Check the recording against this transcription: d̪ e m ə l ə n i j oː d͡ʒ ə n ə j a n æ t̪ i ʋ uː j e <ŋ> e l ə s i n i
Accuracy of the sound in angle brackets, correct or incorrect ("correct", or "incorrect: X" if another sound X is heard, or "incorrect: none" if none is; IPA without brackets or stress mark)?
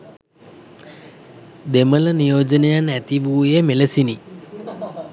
incorrect: m